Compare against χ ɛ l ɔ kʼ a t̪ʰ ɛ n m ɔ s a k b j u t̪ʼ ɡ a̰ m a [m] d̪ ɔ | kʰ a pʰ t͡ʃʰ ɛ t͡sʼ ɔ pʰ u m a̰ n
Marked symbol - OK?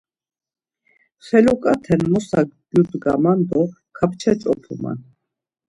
no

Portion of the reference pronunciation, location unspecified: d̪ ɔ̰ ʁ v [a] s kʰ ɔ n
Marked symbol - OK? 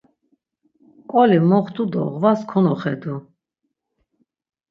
yes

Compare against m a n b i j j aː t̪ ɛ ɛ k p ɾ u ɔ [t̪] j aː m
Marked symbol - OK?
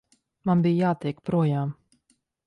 no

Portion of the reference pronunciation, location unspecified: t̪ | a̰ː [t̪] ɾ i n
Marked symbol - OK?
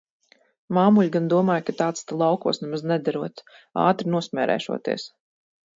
yes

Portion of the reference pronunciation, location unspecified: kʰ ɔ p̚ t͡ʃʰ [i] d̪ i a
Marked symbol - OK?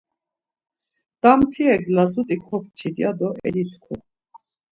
yes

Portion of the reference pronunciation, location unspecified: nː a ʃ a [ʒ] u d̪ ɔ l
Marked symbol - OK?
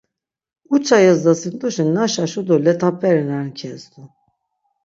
no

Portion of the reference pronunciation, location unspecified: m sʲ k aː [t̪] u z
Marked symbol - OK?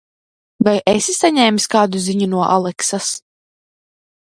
no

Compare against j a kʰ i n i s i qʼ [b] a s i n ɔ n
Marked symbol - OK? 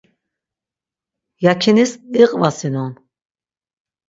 no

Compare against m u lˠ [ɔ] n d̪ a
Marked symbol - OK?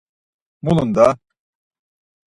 no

